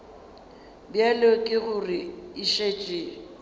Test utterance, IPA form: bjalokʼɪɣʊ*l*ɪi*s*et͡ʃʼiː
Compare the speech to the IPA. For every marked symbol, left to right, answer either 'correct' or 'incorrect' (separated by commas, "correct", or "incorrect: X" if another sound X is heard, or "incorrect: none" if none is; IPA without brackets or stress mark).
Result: incorrect: r, incorrect: ʃ